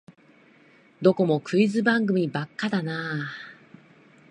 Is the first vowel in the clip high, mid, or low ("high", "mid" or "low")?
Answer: mid